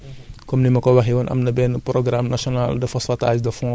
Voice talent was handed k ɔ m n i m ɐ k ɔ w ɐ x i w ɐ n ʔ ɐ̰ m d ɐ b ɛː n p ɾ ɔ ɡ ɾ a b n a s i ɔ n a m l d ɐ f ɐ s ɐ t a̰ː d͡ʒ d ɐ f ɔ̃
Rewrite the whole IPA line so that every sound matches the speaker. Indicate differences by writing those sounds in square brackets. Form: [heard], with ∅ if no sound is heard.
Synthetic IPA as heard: k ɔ m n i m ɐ k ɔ w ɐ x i w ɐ n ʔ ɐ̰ m [n] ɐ b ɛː n p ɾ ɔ ɡ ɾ a [m] n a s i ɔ n a [∅] l d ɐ f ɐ s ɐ t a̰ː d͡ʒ d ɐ f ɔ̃